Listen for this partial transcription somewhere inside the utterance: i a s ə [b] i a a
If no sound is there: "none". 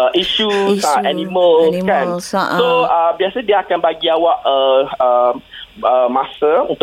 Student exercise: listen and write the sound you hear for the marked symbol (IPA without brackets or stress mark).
d